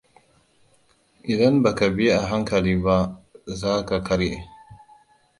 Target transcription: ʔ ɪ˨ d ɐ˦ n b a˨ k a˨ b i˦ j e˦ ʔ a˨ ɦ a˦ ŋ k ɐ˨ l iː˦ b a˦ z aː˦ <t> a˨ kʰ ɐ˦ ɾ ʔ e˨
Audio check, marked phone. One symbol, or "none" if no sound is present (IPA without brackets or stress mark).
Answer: k